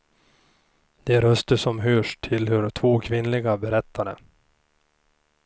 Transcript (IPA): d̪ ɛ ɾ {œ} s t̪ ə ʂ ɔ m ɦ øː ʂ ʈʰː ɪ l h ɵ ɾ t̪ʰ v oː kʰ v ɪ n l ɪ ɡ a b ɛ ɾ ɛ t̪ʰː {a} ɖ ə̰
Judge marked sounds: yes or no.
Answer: yes, yes

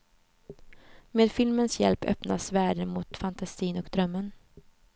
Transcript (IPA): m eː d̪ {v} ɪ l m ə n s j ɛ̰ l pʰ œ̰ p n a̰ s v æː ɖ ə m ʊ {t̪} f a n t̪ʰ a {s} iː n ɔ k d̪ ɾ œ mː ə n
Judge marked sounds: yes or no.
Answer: no, yes, yes

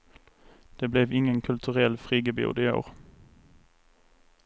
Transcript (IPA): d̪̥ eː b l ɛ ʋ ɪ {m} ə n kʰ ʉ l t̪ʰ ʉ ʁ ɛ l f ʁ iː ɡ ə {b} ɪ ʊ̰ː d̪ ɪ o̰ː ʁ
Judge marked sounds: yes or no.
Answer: no, yes

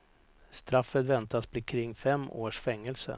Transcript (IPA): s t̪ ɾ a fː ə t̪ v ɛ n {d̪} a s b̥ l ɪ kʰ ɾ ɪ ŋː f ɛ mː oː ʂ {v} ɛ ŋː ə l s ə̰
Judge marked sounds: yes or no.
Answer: no, no

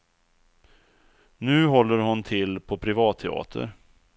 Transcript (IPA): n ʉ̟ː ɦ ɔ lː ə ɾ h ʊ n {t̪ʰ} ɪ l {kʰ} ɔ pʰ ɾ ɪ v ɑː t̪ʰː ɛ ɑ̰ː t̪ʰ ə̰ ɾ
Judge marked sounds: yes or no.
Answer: yes, no

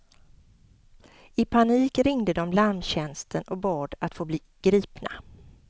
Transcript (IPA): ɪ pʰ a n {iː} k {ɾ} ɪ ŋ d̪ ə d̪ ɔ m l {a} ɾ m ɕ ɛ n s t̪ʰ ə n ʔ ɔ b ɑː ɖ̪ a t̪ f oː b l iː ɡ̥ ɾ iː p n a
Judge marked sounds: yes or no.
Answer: yes, yes, yes

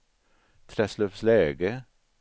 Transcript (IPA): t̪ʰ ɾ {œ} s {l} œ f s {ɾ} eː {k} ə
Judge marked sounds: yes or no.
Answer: no, yes, no, no

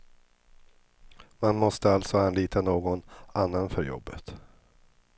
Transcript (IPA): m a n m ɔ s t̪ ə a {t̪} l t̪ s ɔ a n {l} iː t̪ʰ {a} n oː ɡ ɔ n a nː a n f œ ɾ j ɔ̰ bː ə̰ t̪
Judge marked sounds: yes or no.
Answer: no, yes, yes

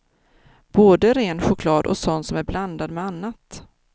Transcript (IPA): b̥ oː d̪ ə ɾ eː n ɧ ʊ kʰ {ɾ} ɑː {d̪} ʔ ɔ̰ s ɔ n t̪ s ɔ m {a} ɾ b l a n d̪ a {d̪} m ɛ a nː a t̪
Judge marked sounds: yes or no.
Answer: no, yes, no, yes

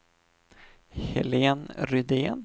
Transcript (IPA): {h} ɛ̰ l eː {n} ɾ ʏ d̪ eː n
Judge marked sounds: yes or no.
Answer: yes, yes

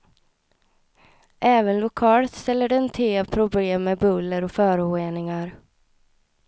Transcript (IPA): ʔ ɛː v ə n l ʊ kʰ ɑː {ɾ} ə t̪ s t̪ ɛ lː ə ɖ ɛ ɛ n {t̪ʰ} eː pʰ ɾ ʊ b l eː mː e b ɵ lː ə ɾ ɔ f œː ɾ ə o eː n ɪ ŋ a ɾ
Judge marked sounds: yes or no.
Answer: no, yes

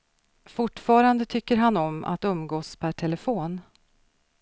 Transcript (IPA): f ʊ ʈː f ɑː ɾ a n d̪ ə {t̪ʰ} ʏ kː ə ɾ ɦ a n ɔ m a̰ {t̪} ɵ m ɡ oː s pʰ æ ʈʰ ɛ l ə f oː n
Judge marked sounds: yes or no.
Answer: yes, yes

